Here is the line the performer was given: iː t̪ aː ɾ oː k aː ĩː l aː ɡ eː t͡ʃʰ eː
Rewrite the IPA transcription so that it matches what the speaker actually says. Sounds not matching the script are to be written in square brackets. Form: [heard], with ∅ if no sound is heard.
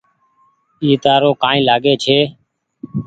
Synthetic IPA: iː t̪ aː ɾ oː k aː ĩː l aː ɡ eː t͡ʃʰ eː